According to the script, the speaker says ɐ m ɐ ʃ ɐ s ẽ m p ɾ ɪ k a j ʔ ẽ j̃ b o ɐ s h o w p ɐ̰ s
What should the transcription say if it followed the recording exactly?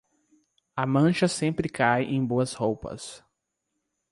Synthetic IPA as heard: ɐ m ɐ̃ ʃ ɐ s ẽ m p ɾ ɪ k a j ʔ ẽ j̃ b o ɐ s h o w p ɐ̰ s